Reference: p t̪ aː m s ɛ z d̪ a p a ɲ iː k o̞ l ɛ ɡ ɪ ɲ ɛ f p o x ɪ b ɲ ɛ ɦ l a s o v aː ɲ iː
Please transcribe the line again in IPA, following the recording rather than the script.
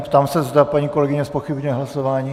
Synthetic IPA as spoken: p t̪ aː m s ɛ z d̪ a p a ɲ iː k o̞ l ɛ ɡ ɪ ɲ ɛ s p o x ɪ b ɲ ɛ ɦ l a s o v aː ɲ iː